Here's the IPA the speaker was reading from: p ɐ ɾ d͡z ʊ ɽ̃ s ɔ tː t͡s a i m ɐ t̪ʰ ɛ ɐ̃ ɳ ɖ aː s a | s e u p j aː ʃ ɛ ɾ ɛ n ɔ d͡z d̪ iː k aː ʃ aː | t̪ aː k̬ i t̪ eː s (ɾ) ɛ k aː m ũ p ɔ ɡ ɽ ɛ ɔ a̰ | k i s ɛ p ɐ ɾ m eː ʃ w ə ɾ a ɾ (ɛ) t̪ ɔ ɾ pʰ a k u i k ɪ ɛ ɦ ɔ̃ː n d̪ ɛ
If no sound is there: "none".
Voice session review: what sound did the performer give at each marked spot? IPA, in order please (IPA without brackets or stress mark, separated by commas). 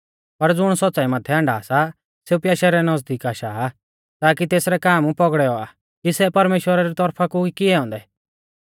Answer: ɾ, i